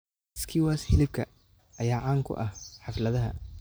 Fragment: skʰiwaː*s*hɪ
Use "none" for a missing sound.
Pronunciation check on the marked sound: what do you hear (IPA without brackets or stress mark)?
s